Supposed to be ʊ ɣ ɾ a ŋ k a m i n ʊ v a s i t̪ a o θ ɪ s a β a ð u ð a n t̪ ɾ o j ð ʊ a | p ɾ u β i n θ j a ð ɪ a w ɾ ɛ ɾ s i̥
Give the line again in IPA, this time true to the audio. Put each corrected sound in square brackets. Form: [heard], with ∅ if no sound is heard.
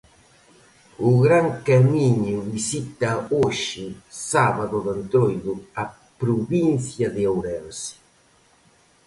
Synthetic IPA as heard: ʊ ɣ ɾ a ŋ k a m i [ɲ] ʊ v [i] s i t̪ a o [ʃ] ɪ s a β a ð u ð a n t̪ ɾ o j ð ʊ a | p ɾ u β i n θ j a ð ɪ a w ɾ ɛ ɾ s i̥